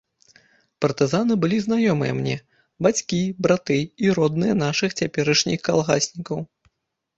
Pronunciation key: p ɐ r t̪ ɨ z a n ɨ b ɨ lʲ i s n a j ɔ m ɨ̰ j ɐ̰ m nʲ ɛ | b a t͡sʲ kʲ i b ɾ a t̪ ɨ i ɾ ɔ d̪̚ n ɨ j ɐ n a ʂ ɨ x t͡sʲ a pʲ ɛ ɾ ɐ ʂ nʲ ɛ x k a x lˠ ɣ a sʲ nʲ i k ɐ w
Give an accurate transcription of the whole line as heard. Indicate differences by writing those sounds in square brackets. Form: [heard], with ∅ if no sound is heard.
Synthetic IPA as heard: p ɐ r t̪ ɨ z a n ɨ b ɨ lʲ i [z] n a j ɔ m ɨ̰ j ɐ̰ m nʲ ɛ | b a t͡sʲ kʲ i b ɾ a t̪ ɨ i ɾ ɔ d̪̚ n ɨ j ɐ n a ʂ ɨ x t͡sʲ a pʲ ɛ ɾ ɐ ʂ nʲ [i] x k a [∅] lˠ ɣ a sʲ nʲ i k ɐ w